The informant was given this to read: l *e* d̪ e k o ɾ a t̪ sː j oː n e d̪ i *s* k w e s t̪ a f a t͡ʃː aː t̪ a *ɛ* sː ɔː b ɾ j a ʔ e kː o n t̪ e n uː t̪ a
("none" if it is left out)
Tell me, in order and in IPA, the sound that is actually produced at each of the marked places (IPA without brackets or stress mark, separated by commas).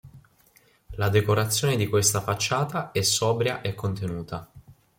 a, none, ɛ